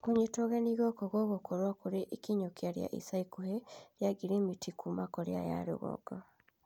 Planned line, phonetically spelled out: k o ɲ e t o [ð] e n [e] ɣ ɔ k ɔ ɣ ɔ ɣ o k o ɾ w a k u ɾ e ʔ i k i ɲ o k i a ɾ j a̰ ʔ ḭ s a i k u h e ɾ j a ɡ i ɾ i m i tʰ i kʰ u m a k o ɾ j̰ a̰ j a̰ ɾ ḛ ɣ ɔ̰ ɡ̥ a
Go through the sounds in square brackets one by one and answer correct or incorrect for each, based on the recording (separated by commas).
incorrect, incorrect